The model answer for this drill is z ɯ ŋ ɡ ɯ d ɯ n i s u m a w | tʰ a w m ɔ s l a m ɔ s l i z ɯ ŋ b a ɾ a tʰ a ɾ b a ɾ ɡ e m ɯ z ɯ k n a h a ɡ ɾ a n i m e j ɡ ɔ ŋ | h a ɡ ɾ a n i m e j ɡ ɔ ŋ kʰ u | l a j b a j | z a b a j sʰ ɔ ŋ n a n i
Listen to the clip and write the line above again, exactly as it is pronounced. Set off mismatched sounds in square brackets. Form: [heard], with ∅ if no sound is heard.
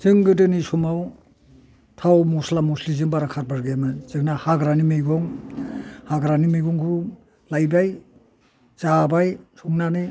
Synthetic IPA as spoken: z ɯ ŋ ɡ ɯ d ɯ n i s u m a w | tʰ a w m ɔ s l a m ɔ s l i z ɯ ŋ b a ɾ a [kʰ] a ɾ b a ɾ ɡ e m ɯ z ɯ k n a h a ɡ ɾ a n i m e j ɡ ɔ ŋ | h a ɡ ɾ a n i m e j ɡ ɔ ŋ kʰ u | l a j b a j | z a b a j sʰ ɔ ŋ n a n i